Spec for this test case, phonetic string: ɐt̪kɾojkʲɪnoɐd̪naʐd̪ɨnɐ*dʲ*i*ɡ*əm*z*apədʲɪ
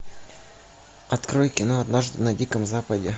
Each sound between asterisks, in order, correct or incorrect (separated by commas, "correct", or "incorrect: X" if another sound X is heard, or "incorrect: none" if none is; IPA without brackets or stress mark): correct, incorrect: k, correct